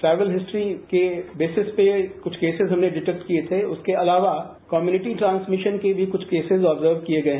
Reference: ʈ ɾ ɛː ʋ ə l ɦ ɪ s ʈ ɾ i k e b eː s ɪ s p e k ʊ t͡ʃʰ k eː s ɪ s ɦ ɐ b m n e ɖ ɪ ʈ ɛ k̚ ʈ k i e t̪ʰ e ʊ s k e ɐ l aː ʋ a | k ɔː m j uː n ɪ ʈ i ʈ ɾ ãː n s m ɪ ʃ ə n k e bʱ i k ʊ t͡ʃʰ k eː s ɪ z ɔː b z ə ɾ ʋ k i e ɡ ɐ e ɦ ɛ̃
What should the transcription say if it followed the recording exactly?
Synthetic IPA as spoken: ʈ ɾ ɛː ʋ ə l ɦ ɪ s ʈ ɾ i k e b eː s ɪ s p e k ʊ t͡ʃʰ k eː s ɪ z ɦ ɐ m n e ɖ ɪ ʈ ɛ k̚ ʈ k i e t̪ʰ e ʊ s k e ɐ l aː ʋ a | k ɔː m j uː n ɪ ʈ i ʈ ɾ ãː n s m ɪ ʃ ə n k e bʱ i k ʊ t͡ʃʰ k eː s ɪ z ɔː b z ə ɾ ʋ k i e ɡ ɐ e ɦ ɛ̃